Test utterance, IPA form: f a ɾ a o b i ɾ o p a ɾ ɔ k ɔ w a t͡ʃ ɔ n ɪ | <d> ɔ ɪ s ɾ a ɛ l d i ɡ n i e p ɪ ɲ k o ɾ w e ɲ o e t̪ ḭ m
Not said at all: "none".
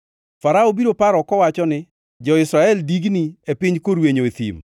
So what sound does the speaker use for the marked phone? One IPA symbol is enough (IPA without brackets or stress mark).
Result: d͡ʒ